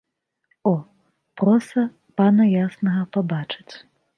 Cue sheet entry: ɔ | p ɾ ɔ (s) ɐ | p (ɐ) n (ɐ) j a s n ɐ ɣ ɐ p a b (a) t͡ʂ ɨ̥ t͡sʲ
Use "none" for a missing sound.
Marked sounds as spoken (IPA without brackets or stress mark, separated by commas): s, a, ɐ, a